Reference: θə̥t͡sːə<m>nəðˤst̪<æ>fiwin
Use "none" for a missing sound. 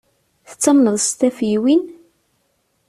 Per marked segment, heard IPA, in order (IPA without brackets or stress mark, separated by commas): m, æ